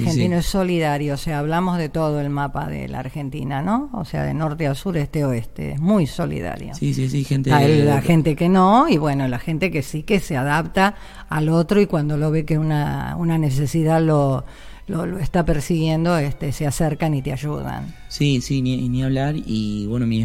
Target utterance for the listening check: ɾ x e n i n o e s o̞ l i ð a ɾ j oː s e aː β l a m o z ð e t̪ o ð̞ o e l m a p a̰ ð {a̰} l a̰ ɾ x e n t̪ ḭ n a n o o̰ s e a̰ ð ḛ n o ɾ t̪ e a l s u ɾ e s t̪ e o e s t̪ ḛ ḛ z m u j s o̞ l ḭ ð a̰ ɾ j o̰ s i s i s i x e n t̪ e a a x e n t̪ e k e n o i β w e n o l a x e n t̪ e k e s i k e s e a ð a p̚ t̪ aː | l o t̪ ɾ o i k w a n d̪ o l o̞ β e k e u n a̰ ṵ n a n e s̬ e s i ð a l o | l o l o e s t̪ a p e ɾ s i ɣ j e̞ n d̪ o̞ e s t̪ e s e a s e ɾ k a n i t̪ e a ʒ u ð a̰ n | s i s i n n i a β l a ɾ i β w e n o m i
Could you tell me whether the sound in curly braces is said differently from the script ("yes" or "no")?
yes